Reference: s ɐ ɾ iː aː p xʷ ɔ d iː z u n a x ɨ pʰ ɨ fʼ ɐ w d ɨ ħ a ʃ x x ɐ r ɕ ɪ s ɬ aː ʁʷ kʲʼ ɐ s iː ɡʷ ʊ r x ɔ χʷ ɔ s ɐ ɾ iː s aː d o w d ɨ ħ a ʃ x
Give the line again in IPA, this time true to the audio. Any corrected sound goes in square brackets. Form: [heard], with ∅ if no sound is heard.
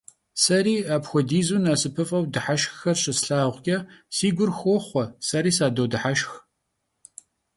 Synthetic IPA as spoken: s ɐ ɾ iː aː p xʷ ɔ d iː z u n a [s] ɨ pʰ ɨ fʼ ɐ w d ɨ ħ a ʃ x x ɐ r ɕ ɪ s ɬ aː ʁʷ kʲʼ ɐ s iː ɡʷ ʊ r x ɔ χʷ ɔ s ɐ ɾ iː s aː d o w d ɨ ħ a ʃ x

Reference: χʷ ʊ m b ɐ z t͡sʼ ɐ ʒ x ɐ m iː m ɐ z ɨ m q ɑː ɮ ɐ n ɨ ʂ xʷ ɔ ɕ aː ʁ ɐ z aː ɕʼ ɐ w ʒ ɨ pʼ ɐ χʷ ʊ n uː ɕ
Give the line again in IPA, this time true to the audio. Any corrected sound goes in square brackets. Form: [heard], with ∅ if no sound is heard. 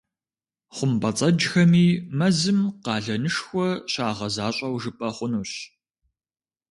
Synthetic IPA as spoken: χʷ ʊ m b ɐ [∅] t͡sʼ ɐ [d͡ʒ] x ɐ m iː m ɐ z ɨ m q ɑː ɮ ɐ n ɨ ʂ xʷ ɔ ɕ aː ʁ ɐ z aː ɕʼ ɐ w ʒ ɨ pʼ ɐ χʷ ʊ n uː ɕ

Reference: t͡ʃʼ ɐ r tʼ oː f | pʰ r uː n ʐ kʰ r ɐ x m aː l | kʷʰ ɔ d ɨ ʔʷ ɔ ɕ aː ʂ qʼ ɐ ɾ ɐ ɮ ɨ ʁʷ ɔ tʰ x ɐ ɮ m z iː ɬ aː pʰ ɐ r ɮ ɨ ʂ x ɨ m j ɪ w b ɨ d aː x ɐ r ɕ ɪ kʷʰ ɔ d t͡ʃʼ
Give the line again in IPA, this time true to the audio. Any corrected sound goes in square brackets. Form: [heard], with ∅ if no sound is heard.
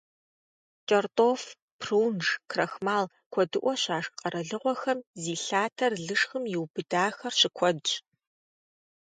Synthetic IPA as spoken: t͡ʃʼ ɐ r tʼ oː f | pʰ r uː n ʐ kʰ r ɐ x m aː l | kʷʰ ɔ d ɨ ʔʷ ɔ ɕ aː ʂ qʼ ɐ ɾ ɐ ɮ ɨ ʁʷ ɔ [∅] x ɐ [∅] m z iː ɬ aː [tʰ] ɐ r ɮ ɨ ʂ x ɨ m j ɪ w b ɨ d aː x ɐ r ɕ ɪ kʷʰ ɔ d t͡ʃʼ

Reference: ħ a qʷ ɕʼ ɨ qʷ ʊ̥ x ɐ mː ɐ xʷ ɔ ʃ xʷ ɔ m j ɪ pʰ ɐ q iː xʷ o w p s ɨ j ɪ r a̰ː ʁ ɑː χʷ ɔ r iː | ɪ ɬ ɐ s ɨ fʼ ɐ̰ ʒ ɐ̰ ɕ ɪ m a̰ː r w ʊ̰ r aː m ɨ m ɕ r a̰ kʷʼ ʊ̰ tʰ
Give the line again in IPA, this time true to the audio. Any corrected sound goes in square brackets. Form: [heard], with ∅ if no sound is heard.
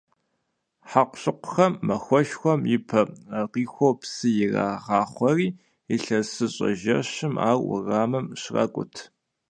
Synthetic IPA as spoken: ħ a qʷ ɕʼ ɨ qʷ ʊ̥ x ɐ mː ɐ xʷ ɔ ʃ xʷ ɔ m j ɪ pʰ ɐ q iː xʷ o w p s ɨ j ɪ r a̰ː ʁ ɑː χʷ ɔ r iː | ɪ ɬ ɐ s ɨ [ɕʼ] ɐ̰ ʒ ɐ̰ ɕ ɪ m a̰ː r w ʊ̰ r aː m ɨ m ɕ r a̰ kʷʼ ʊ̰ tʰ

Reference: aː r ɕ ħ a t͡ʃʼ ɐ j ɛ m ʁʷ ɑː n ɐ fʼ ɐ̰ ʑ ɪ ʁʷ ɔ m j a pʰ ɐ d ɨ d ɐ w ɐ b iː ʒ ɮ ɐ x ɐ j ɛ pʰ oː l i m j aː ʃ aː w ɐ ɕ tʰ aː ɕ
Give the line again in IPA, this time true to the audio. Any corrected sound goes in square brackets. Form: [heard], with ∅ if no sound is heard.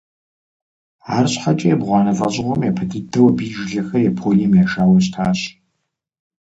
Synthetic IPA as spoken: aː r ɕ ħ a t͡ʃʼ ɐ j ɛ [b] ʁʷ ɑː n ɐ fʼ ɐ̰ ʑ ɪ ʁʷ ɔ m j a pʰ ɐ d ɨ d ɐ w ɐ b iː ʒ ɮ ɐ x ɐ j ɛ pʰ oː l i m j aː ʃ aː w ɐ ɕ tʰ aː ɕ

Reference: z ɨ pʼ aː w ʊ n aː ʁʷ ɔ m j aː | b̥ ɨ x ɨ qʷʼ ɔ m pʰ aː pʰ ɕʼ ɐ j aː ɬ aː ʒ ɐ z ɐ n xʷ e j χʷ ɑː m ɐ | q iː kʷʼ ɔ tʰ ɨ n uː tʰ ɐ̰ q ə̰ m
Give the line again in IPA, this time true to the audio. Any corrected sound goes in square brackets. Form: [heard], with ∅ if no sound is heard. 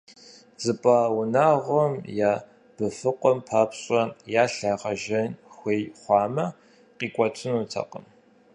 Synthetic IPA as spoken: z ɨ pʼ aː w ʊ n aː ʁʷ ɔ m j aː | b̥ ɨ [f] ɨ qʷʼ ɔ m pʰ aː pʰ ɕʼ ɐ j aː ɬ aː [ʁ] ɐ [ʒ] ɐ n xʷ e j χʷ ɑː m ɐ | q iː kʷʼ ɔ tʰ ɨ n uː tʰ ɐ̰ q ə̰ m

